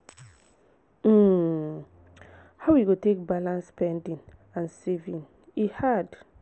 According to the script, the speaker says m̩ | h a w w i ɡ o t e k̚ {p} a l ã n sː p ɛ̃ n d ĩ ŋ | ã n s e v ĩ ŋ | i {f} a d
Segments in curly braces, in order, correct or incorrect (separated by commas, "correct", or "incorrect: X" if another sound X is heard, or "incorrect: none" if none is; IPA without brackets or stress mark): incorrect: b, incorrect: h